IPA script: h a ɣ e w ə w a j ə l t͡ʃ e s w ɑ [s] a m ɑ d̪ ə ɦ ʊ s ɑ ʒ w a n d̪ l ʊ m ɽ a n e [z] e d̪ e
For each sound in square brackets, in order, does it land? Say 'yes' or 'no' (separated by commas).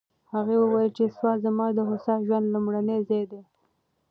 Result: no, yes